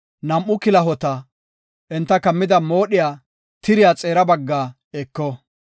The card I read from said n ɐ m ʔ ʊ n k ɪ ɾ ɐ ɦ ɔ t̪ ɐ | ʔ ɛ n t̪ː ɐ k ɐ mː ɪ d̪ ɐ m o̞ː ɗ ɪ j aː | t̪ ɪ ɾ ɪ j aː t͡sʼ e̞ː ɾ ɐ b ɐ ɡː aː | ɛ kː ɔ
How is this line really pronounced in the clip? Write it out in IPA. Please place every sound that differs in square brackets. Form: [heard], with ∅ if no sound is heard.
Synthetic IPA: n ɐ m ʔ ʊ [∅] k ɪ [l] ɐ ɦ ɔ t̪ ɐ | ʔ ɛ n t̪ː ɐ k ɐ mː ɪ d̪ ɐ m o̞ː ɗ ɪ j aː | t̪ ɪ ɾ ɪ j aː t͡sʼ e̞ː ɾ ɐ b ɐ ɡː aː | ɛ kː ɔ